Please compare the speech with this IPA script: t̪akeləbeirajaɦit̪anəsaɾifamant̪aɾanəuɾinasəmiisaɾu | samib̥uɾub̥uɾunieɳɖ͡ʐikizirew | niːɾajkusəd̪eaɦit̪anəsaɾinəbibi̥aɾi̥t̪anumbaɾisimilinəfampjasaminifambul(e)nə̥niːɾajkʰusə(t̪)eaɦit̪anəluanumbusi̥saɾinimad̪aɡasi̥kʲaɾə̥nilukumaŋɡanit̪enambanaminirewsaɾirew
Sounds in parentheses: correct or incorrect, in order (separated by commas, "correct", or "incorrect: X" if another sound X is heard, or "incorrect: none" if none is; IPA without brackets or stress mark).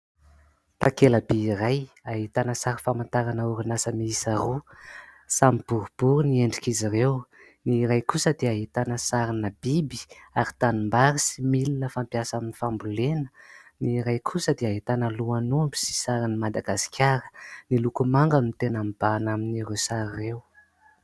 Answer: correct, incorrect: d̪